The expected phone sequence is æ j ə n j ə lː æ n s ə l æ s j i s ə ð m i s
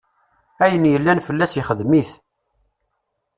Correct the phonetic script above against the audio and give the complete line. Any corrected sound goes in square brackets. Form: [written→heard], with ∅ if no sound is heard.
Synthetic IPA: æ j ə n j ə lː æ n [s→f] ə [l→lː] æ s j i [s→χ] ə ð m i [s→θ]